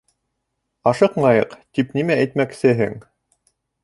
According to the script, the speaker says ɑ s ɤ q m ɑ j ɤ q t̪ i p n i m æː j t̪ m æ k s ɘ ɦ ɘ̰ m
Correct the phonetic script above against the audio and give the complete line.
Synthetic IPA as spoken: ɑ ʃ ɤ q m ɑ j ɤ q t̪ i p n i m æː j t̪ m æ k s ɘ ɦ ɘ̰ ŋ

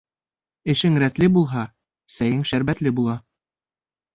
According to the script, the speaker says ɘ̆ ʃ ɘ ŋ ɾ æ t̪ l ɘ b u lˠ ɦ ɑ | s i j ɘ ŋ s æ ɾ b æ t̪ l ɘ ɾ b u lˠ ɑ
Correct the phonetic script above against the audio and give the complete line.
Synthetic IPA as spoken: ɘ̆ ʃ ɘ ŋ ɾ æ t̪ l ɘ b u lˠ ɦ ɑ | s æ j ɘ ŋ ʃ æ ɾ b æ t̪ l ɘ b u lˠ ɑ

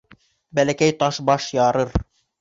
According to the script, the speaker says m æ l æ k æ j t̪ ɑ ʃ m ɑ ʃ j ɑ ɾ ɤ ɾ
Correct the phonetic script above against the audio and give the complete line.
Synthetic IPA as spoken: b æ l æ k æ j t̪ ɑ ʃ b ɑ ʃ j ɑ ɾ ɤ ɾ

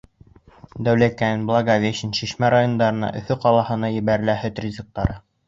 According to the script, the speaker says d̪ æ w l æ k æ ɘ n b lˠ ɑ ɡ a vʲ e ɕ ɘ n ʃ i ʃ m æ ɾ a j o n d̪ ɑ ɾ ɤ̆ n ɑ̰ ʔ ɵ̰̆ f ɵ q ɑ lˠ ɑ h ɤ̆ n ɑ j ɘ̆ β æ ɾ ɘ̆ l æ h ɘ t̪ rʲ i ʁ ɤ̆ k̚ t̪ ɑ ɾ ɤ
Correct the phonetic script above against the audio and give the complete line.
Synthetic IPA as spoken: d̪ æ w l æ k æ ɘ n b lˠ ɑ ɡ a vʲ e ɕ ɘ n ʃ i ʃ m æ ɾ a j o n d̪ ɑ ɾ ɤ̆ n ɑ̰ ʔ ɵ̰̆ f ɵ q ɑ lˠ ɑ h ɤ̆ n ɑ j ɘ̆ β æ ɾ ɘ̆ l æ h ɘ t̪ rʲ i z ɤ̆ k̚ t̪ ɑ ɾ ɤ

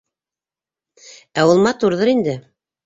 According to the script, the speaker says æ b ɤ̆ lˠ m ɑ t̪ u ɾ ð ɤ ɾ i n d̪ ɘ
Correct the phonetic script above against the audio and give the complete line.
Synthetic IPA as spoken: æ w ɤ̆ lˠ m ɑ t̪ u ɾ ð ɤ ɾ i n d̪ ɘ

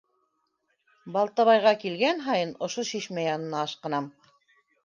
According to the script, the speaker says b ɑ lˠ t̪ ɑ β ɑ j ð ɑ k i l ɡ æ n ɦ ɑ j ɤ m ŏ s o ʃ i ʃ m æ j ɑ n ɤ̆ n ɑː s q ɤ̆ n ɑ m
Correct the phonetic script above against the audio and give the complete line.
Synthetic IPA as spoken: b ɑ lˠ t̪ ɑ β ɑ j ʁ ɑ k i l ɡ æ n ɦ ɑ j ɤ n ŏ ʃ o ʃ i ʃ m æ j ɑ n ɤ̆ n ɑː ʃ q ɤ̆ n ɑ m

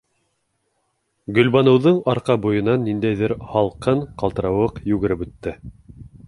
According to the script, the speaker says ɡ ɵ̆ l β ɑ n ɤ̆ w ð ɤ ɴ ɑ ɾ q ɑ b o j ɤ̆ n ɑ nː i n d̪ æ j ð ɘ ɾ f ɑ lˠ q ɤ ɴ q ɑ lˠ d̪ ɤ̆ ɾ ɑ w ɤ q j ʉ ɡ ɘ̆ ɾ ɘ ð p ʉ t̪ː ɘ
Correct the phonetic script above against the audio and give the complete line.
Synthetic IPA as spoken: ɡ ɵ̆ l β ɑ n ɤ̆ w ð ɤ ɴ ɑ ɾ q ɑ b u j ɤ̆ n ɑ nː i n d̪ æ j ð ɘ ɾ h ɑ lˠ q ɤ ɴ q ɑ lˠ t̪ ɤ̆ ɾ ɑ w ɤ q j ʉ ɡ ɘ̆ ɾ ɘ p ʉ t̪ː ɘ

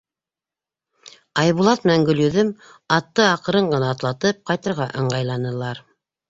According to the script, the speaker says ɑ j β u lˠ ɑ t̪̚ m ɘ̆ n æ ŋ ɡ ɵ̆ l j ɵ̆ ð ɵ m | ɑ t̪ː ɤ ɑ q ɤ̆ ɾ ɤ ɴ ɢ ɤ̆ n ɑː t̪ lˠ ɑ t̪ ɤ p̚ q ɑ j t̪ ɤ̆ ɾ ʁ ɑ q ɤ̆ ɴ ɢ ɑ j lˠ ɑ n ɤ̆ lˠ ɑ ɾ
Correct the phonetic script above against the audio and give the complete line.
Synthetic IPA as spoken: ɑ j β u lˠ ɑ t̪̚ m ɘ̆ n æ ŋ ɡ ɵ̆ l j ɵ̆ ð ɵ m | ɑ t̪ː ɤ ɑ q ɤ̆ ɾ ɤ ɴ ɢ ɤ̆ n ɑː t̪ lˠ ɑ t̪ ɤ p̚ q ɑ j t̪ ɤ̆ ɾ ʁ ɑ ʔ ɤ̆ ɴ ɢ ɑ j lˠ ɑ n ɤ̆ lˠ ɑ ɾ

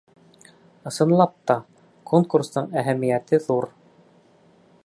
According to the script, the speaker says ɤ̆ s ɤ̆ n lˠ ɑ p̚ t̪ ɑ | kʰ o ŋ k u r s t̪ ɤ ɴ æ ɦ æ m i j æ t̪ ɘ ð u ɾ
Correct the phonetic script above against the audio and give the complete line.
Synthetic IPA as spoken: ɤ̆ s ɤ̆ n lˠ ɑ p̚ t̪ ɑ | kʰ o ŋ k u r s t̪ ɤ ɴ æ ɦ æ m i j æ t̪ ɘ ð u ɾ

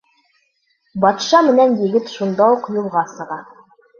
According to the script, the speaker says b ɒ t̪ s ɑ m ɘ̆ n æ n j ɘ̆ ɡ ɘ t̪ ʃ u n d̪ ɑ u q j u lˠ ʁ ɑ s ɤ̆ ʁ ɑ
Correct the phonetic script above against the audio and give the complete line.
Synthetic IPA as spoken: b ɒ t̪ ʃ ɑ m ɘ̆ n æ n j ɘ̆ ɡ ɘ t̪ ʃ u n d̪ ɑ u q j u lˠ ʁ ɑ s ɤ̆ ʁ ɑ

